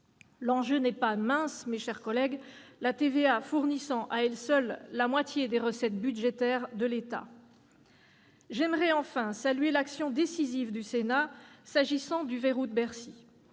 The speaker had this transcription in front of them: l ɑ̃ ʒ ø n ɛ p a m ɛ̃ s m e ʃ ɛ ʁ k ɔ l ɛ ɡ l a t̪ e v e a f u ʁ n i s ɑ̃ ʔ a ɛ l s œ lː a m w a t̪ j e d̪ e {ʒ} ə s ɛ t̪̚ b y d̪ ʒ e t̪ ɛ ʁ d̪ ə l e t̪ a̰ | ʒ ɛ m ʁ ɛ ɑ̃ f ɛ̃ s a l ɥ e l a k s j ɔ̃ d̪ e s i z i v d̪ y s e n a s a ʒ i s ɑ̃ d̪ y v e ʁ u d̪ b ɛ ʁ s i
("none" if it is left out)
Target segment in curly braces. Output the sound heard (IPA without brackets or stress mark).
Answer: ʁ